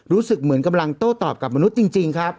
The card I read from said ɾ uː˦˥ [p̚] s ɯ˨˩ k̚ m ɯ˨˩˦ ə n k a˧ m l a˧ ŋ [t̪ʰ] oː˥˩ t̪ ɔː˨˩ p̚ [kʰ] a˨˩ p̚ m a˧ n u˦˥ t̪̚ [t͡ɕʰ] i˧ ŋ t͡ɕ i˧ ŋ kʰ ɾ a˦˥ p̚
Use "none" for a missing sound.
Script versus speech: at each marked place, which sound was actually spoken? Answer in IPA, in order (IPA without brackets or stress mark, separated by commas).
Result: none, t̪, k, t͡ɕ